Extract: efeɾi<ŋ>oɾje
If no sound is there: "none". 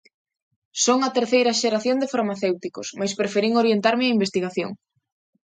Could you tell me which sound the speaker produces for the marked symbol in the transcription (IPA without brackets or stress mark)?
ŋ